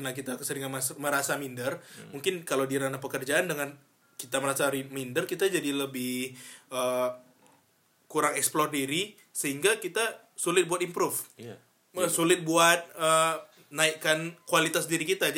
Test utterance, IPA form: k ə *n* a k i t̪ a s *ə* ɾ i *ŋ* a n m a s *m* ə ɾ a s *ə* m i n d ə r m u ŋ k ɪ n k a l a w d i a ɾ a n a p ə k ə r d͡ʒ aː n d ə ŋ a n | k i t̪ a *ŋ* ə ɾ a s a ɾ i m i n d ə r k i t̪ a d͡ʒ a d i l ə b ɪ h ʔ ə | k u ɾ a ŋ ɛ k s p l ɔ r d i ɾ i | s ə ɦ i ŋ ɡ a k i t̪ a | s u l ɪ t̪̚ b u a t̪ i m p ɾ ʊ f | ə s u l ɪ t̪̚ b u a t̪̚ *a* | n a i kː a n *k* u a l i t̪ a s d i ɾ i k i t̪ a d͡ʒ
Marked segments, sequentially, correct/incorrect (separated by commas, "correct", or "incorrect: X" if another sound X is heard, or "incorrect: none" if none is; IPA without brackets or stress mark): correct, correct, correct, correct, incorrect: a, incorrect: m, incorrect: ə, correct